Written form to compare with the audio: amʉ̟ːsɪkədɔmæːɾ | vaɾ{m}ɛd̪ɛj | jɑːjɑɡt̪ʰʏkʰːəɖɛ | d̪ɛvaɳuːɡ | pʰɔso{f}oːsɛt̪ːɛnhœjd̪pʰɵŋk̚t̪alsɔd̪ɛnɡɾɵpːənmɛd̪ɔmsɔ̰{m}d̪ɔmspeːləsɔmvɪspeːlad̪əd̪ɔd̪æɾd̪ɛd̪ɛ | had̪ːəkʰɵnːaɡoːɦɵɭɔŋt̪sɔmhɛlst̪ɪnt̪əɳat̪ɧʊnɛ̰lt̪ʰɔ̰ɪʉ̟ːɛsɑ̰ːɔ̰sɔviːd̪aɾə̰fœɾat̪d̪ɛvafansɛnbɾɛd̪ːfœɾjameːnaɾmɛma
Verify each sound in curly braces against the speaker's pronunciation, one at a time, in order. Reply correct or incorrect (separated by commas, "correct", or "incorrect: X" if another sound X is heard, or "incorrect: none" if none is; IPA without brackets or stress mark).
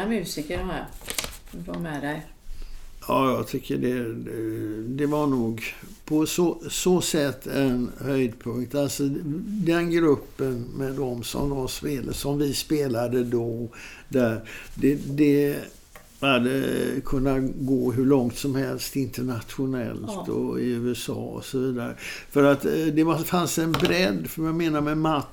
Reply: correct, incorrect: s, correct